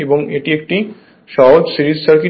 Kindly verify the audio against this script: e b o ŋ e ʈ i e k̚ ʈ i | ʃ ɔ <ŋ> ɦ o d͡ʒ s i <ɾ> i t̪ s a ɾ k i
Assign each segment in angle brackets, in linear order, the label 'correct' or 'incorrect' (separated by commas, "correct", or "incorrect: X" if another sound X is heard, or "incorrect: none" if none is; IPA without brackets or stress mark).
incorrect: none, correct